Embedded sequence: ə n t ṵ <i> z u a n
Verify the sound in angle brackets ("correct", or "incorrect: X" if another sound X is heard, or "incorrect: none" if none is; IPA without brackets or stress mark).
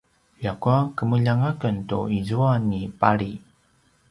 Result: correct